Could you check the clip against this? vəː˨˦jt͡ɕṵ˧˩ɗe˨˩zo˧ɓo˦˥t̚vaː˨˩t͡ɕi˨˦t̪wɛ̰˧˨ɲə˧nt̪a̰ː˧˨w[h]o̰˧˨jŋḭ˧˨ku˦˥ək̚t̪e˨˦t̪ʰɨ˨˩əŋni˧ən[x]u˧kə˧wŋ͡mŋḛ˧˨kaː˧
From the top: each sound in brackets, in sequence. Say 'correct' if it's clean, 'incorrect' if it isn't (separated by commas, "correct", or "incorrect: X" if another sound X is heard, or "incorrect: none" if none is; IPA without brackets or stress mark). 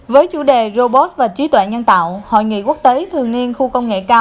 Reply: correct, correct